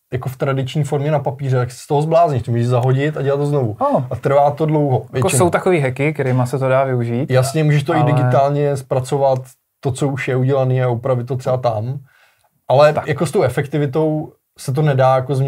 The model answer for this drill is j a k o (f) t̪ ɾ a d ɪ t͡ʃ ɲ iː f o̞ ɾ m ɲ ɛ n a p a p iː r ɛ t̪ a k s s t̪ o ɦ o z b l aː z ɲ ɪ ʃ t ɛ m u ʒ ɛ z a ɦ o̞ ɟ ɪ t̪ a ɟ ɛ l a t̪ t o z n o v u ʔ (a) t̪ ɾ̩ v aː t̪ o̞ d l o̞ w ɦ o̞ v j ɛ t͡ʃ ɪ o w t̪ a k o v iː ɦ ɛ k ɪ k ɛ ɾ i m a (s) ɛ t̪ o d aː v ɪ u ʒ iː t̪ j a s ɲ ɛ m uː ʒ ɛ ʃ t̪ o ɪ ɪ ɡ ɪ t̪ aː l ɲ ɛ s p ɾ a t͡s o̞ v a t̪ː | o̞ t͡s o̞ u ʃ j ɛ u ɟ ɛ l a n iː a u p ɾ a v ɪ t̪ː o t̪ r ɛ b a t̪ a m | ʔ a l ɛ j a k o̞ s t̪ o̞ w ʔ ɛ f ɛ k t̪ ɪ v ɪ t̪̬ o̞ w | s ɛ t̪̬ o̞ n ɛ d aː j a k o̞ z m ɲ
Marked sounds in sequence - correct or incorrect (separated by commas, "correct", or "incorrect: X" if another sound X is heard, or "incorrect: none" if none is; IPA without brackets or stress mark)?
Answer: correct, correct, correct